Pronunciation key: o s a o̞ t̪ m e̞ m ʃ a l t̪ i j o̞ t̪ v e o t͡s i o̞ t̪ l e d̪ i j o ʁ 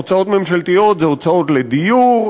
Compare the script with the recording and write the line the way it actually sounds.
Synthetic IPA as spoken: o t͡s a o̞ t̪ m e̞ m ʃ a l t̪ i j o̞ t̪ z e o t͡s a o̞ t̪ l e d̪ i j u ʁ